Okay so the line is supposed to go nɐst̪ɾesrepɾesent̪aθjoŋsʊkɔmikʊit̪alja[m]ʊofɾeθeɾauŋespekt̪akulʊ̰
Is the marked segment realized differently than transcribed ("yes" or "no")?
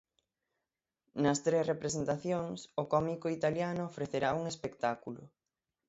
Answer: yes